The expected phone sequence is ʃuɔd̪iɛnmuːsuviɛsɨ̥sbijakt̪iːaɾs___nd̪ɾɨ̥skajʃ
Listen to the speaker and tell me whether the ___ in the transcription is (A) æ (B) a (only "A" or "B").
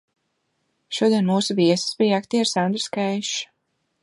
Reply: B